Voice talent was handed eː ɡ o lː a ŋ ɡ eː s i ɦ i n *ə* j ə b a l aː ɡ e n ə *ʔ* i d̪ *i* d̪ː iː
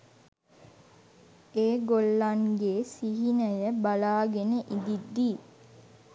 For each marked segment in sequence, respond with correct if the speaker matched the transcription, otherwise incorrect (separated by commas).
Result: correct, correct, correct